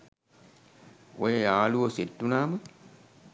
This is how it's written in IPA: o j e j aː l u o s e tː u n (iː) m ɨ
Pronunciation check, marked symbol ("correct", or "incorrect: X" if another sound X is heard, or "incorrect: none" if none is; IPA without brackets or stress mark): incorrect: aː